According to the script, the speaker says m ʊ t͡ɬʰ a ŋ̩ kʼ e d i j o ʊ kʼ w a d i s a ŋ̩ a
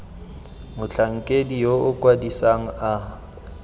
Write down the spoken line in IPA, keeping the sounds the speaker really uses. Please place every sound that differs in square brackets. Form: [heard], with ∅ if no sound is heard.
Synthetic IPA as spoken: m ʊ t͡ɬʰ a ŋ̩ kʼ e d i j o ʊ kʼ w a d i s a ŋ̩ a

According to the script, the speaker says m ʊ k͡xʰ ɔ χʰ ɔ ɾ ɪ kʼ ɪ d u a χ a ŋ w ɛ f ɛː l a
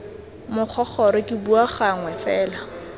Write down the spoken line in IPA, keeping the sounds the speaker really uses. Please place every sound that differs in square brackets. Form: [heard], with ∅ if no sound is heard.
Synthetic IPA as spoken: m ʊ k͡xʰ ɔ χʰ ɔ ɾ ɪ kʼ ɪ [b] u a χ a ŋ w ɛ f ɛː l a

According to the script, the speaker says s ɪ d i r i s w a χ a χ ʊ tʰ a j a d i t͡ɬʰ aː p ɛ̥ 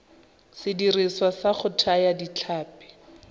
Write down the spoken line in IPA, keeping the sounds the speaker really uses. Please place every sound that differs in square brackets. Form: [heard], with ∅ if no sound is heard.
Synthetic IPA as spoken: s ɪ d i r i s w a [s] a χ ʊ tʰ a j a d i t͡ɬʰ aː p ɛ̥

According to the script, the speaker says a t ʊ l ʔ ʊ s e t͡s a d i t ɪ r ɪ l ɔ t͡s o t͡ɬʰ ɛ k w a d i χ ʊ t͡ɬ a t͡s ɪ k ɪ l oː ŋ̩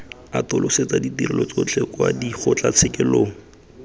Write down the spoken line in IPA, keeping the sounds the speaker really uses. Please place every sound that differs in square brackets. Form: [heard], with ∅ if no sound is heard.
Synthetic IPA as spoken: a t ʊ l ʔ ʊ s e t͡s a d i t [i] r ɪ l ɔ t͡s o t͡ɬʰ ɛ k w a d i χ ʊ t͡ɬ a [t͡sʰ] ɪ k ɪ l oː ŋ̩

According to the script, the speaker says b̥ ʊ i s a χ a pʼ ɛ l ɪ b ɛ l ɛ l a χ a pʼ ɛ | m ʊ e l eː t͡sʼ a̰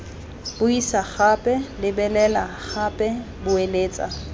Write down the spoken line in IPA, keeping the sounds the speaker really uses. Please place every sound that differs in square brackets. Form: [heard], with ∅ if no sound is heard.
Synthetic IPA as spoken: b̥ ʊ i s a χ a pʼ ɛ l ɪ b ɛ l ɛ l a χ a pʼ ɛ | [b] ʊ e l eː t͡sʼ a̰

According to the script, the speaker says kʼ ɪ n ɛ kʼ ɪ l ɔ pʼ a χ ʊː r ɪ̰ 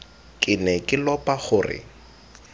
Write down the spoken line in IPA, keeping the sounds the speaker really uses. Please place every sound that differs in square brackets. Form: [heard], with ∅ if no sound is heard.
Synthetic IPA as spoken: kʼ ɪ n ɛ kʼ ɪ l ɔ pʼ a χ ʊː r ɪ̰

